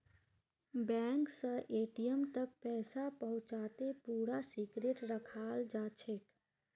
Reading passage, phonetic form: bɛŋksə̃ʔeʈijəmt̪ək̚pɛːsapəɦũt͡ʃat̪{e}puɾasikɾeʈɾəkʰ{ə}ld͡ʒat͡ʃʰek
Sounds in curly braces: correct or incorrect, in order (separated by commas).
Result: correct, incorrect